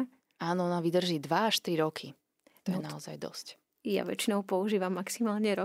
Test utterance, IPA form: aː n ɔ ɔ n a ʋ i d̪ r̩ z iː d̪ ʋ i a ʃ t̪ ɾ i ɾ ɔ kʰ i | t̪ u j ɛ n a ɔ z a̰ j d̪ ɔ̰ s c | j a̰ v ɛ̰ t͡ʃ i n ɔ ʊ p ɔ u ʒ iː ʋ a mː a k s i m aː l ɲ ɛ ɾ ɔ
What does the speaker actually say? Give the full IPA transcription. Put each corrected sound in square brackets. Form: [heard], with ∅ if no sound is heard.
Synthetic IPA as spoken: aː n ɔ ɔ n a ʋ i d̪ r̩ [ʒ] iː d̪ ʋ [a] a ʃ t̪ ɾ i ɾ ɔ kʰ i | t̪ [ɔ] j ɛ n a ɔ z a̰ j d̪ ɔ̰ s c | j a̰ [ʋ] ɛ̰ t͡ʃ i n ɔ ʊ p ɔ u ʒ iː ʋ a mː a k s i m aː l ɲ ɛ ɾ ɔ